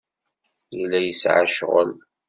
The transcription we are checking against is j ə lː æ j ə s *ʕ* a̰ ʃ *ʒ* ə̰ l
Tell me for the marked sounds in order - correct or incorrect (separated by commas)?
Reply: correct, incorrect